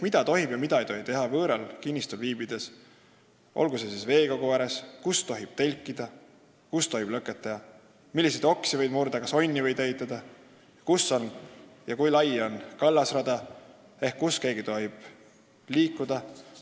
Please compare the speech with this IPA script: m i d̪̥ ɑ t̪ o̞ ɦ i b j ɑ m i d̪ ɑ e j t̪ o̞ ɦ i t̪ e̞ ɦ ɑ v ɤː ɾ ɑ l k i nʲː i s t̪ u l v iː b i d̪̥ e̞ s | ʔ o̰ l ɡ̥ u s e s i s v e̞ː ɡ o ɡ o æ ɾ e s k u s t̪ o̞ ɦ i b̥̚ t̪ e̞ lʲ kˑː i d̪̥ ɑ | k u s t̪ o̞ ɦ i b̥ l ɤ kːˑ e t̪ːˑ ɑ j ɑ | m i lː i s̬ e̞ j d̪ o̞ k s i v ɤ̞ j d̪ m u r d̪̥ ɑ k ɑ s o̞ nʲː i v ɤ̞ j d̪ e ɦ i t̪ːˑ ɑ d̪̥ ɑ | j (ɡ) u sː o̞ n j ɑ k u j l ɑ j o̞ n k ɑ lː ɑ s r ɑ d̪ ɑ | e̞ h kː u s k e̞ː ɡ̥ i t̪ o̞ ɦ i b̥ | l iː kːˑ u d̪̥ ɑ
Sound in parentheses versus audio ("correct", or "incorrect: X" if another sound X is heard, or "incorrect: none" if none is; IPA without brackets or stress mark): incorrect: k